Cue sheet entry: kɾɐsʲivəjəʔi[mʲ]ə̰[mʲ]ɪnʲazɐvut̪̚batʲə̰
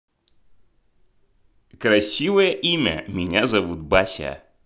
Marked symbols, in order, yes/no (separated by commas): yes, yes